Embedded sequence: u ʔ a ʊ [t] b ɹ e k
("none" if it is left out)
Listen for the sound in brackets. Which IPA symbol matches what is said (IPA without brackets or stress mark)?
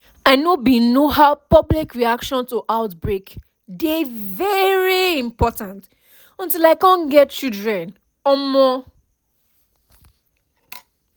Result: t